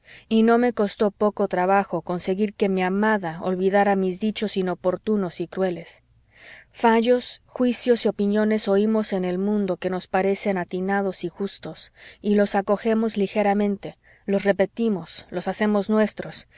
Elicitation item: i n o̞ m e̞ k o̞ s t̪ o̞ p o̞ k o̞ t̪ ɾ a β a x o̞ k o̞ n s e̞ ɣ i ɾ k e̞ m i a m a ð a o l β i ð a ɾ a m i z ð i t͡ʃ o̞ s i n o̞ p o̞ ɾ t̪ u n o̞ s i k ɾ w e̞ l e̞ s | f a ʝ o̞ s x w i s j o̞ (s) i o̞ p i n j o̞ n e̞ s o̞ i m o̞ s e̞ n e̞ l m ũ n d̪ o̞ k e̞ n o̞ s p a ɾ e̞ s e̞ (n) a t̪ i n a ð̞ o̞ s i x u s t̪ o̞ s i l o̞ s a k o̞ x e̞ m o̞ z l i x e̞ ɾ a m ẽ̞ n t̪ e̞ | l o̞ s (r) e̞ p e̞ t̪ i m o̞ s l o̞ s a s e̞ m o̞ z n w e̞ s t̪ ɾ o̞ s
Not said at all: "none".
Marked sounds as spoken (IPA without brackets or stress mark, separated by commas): s, n, r